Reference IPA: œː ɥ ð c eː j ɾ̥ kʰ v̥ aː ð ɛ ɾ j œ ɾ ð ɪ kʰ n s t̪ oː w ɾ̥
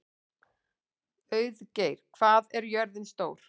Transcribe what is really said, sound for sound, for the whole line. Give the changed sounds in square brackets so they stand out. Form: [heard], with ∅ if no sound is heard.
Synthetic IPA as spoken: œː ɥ ð c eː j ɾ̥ kʰ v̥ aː ð ɛ ɾ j œ ɾ ð ɪ [∅] n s t̪ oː w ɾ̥